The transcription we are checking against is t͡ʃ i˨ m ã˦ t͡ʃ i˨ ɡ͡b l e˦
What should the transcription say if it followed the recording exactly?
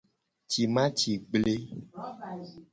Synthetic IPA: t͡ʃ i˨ m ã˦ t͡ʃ i˨ ɡ͡b l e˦